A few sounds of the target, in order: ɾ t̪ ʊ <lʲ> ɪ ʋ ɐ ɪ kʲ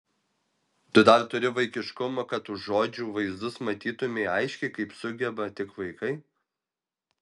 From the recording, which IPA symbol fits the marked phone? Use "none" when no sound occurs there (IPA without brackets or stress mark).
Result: ɾʲ